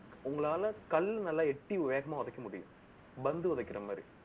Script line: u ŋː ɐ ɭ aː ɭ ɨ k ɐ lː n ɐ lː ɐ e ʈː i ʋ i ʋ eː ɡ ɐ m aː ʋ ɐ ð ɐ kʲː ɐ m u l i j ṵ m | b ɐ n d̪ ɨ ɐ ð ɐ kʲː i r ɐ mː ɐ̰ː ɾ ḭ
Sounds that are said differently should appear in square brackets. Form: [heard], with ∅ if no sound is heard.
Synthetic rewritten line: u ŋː ɐ ɭ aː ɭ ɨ k ɐ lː n ɐ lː ɐ e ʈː i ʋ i ʋ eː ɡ ɐ m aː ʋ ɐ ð ɐ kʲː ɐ m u [ɽ] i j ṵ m | b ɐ n d̪ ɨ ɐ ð ɐ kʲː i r ɐ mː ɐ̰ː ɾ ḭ